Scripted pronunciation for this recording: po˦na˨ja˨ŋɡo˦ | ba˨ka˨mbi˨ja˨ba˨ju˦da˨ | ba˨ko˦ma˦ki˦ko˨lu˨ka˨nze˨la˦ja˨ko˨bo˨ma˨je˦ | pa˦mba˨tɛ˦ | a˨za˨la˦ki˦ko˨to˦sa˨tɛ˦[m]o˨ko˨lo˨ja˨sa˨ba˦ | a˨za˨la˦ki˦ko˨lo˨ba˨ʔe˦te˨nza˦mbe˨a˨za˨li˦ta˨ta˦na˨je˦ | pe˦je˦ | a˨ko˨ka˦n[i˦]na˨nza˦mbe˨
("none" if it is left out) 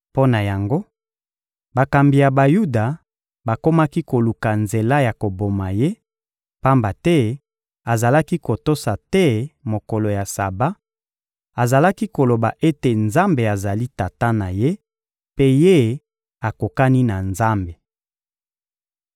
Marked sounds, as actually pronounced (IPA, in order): m, i˦

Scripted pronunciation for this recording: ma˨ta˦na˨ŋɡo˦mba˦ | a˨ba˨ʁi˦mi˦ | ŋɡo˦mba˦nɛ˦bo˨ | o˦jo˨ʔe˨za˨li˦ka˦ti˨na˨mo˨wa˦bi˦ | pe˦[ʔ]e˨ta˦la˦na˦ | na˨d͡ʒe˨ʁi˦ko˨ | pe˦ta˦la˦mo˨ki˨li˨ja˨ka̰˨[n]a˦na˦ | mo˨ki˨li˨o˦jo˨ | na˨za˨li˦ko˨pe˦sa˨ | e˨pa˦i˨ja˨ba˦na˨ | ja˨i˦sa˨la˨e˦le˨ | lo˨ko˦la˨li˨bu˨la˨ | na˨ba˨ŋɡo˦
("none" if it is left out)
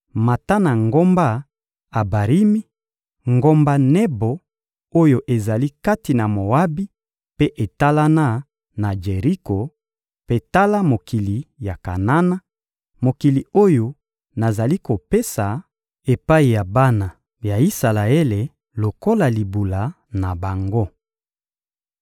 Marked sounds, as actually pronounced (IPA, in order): ʔ, n

